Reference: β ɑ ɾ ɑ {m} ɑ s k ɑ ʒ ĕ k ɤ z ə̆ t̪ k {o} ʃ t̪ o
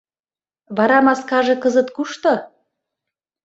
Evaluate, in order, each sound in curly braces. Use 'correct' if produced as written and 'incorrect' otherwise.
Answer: correct, incorrect: u

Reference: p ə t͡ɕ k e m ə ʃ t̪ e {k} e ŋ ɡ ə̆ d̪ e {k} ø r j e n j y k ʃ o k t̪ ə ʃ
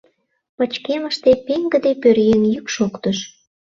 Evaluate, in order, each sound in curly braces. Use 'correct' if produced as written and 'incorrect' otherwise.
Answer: incorrect: p, incorrect: p

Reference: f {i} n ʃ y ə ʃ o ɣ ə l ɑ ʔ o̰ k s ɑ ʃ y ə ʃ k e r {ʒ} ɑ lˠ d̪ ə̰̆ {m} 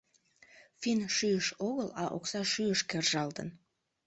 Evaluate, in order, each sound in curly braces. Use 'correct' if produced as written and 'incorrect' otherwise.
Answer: correct, correct, incorrect: n

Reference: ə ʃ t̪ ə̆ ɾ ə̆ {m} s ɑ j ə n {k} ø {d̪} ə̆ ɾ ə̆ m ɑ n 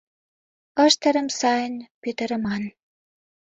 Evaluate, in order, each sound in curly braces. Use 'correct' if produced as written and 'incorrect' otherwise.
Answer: correct, incorrect: p, incorrect: t̪

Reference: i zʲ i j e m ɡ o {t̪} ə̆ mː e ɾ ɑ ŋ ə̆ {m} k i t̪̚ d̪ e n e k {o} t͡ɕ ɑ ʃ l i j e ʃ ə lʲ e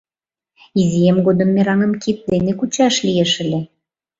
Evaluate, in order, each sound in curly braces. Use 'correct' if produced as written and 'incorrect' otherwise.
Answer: incorrect: d̪, correct, incorrect: u

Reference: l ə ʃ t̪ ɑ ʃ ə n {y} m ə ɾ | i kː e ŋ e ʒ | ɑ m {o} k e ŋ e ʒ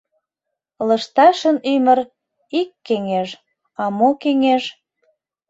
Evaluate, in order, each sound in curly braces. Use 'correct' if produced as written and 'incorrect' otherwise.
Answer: correct, correct

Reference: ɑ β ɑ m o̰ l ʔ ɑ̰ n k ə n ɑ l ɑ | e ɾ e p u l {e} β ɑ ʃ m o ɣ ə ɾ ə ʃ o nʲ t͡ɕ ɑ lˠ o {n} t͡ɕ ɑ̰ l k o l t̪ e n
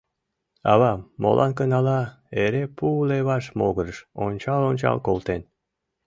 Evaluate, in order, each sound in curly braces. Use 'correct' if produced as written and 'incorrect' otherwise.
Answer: correct, correct

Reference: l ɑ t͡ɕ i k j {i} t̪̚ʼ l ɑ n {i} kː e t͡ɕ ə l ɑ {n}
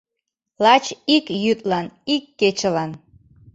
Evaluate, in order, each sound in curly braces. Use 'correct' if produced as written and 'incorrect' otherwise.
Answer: incorrect: y, correct, correct

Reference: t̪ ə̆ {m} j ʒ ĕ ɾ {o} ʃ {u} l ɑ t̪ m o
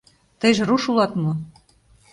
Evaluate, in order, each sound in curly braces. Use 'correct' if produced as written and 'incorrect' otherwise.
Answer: incorrect: none, incorrect: u, correct

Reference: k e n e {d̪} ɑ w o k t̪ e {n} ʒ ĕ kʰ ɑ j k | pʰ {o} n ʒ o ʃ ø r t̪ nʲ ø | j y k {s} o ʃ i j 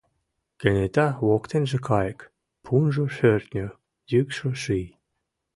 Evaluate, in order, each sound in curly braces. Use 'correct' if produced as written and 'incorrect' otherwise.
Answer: incorrect: t̪, correct, incorrect: u, incorrect: ʃ

